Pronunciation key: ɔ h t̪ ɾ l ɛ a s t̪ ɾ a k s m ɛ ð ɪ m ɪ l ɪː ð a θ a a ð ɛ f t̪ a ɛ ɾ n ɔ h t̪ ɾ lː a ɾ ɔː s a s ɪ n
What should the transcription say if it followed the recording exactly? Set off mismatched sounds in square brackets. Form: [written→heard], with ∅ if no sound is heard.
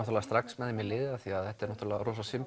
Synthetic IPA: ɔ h t̪ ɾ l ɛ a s t̪ ɾ a k s m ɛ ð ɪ m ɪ l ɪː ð a θ [a→i] a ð ɛ [f→h] t̪ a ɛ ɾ n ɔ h t̪ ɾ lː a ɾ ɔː s a s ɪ [n→m]